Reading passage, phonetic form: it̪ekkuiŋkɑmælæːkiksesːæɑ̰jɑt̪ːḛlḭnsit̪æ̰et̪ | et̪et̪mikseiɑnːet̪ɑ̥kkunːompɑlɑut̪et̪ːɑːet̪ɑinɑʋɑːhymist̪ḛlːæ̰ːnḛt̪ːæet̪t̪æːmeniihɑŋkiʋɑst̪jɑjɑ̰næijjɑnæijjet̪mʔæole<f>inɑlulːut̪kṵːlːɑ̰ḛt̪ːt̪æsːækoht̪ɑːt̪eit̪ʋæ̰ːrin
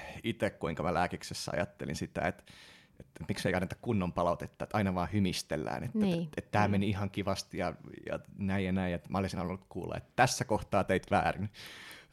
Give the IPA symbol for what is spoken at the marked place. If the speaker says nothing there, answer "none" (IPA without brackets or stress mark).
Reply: s